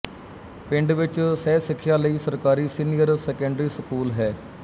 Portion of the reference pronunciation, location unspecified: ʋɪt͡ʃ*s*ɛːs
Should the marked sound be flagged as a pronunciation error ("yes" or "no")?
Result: no